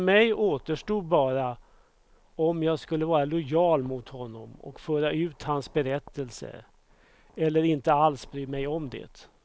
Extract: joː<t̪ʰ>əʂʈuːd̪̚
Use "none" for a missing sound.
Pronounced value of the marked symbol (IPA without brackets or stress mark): t̪